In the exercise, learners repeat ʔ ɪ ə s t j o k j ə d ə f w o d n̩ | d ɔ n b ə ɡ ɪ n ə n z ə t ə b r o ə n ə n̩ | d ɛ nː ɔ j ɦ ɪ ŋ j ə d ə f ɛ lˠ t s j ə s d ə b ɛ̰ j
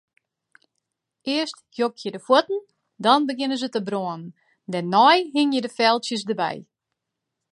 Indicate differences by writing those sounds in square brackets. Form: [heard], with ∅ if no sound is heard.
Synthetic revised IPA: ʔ ɪ ə s t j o k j ə d ə f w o [t] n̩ | d ɔ n b ə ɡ ɪ n ə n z ə t ə b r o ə n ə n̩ | d ɛ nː ɔ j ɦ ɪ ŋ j ə d ə f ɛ lˠ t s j ə s d ə b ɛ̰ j